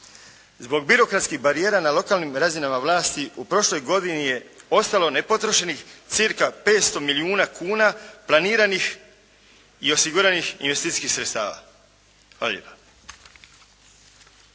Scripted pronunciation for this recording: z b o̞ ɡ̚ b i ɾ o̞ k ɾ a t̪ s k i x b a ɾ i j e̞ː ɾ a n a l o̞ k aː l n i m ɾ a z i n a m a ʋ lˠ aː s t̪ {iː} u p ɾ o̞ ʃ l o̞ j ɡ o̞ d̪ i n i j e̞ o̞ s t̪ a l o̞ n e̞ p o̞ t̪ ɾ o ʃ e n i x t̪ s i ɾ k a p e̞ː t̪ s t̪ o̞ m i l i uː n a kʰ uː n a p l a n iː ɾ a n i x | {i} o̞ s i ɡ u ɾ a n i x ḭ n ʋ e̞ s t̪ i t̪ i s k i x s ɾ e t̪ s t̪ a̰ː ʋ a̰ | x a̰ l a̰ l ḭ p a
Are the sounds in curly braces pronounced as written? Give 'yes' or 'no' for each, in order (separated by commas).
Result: no, yes